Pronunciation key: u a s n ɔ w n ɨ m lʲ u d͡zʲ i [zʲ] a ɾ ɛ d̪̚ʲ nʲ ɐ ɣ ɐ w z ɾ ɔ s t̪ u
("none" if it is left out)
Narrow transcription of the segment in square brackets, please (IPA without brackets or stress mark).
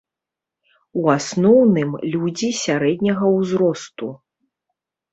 sʲ